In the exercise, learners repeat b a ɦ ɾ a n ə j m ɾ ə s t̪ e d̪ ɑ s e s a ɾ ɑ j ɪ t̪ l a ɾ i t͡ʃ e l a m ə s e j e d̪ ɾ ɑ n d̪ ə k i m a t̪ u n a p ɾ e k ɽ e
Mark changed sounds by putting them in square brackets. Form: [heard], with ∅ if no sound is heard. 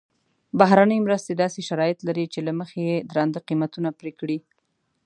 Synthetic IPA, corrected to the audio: b a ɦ ɾ a n ə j m ɾ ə s t̪ e d̪ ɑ s e [ʃ] a ɾ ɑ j ɪ t̪ l a ɾ i t͡ʃ e l a m ə [x] e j e d̪ ɾ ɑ n d̪ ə [q] i m a t̪ u n a p ɾ e k ɽ [i]